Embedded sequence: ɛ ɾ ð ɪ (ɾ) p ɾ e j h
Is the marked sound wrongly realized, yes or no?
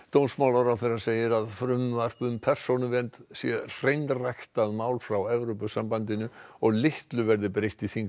yes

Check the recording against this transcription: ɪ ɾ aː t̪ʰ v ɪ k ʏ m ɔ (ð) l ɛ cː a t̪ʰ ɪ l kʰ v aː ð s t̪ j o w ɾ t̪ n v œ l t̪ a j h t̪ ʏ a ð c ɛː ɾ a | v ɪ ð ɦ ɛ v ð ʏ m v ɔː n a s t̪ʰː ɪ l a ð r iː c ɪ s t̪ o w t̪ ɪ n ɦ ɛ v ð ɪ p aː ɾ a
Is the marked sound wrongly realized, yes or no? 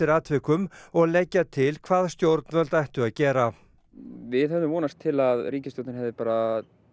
yes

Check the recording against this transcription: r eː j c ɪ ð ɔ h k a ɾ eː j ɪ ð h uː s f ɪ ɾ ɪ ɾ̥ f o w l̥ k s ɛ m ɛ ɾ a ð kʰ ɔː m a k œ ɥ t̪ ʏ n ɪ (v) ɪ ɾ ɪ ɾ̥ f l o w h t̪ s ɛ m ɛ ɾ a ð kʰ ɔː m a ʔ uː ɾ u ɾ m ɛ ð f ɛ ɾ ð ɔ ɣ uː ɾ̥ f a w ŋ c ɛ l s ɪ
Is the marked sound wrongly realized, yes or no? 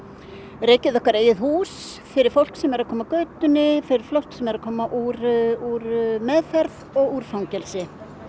yes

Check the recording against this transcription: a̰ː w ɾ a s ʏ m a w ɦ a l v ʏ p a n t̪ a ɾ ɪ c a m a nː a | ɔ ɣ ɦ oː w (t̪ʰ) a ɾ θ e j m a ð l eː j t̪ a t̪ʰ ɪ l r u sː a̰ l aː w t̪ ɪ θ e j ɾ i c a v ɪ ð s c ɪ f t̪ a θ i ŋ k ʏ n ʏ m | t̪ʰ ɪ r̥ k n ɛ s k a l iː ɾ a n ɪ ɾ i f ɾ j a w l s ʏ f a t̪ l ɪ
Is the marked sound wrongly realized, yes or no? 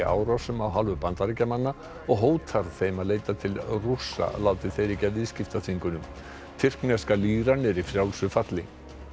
no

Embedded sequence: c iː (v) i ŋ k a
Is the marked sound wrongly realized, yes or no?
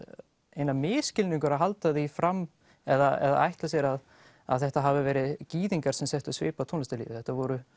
yes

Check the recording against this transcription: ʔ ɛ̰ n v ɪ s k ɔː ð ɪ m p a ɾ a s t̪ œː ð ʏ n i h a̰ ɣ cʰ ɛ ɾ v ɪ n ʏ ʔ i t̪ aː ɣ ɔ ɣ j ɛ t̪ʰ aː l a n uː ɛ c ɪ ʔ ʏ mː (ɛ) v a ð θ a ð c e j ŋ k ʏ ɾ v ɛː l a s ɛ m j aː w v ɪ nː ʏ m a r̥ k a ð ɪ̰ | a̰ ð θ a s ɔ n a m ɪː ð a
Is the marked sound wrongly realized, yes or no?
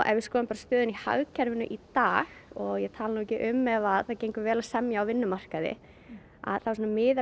no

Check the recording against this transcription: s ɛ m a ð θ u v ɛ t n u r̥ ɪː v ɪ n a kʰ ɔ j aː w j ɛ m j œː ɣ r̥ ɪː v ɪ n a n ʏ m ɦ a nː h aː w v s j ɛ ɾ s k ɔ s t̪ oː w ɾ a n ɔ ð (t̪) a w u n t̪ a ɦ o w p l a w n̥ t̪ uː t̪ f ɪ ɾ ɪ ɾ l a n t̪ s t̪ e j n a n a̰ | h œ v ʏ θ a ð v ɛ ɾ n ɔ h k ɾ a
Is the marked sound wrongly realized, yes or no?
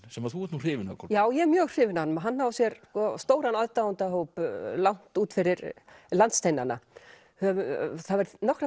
no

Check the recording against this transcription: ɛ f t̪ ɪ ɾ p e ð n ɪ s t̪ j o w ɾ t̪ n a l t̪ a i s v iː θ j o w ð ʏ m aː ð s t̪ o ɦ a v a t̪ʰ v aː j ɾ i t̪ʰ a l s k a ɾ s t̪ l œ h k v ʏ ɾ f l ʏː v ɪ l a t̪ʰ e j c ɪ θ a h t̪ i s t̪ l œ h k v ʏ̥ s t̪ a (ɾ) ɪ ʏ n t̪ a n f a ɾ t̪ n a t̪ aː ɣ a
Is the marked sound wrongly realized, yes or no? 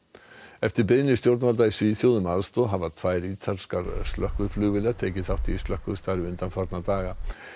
no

